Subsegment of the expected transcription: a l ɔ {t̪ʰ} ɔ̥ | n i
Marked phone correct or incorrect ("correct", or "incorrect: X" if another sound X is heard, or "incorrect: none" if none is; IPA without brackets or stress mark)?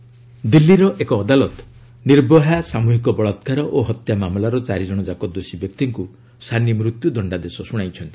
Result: incorrect: t̪